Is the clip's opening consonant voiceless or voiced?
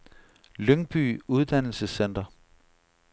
voiced